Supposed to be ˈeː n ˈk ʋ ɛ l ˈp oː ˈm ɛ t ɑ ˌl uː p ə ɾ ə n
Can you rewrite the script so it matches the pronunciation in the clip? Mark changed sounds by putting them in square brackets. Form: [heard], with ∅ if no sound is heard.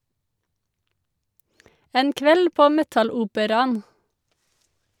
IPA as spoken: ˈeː n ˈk ʋ ɛ l ˈp oː ˈm ɛ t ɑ ˌl uː p ə ɾ [ɑ] n